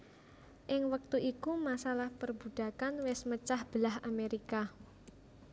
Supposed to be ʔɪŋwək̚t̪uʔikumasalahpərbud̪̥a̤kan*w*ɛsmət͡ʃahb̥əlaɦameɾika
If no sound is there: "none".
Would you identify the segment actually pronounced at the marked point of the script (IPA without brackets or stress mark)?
w